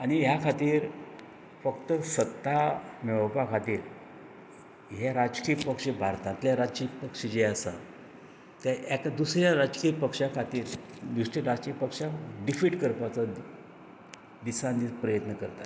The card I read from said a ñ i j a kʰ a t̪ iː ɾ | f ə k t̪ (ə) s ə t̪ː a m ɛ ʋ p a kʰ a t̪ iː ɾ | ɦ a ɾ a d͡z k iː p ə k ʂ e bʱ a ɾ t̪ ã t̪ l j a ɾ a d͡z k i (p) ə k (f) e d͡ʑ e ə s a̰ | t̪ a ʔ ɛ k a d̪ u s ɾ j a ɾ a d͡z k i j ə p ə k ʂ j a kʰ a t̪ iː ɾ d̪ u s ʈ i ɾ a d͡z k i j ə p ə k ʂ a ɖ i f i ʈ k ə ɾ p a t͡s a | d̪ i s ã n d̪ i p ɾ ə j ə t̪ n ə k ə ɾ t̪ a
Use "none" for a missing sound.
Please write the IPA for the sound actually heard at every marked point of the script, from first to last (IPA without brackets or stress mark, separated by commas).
ə, p, ʂ